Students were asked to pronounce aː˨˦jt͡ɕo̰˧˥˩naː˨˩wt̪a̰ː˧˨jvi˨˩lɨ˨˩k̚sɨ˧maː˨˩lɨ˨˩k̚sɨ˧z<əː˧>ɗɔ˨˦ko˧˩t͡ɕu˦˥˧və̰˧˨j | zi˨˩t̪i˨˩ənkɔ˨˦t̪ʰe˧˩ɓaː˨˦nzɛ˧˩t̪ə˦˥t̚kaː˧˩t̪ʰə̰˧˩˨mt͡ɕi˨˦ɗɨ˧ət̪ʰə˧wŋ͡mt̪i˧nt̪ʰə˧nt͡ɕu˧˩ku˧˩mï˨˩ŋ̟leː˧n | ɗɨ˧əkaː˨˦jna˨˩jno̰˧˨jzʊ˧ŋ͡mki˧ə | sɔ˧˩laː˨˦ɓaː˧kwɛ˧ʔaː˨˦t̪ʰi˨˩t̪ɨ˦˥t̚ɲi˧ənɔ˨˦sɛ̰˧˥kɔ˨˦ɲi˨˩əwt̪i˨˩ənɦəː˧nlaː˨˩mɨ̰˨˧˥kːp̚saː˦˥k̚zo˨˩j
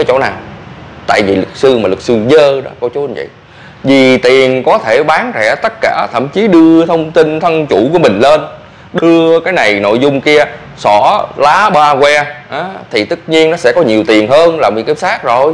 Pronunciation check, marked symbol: correct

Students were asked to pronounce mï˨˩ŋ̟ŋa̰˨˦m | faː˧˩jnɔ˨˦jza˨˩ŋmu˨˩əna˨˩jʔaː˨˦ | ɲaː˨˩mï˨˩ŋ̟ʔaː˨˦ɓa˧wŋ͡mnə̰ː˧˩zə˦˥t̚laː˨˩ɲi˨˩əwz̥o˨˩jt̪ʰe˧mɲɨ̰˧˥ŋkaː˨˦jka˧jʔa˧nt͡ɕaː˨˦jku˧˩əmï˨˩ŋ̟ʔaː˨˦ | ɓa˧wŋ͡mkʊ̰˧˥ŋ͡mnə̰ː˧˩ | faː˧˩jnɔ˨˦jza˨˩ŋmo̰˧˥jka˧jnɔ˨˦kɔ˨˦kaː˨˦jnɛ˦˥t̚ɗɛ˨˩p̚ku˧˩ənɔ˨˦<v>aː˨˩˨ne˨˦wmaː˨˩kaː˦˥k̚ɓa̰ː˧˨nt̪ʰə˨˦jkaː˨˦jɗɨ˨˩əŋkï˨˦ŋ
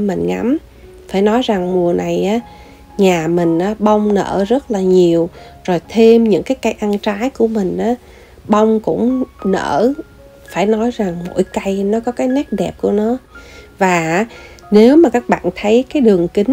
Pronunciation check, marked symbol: correct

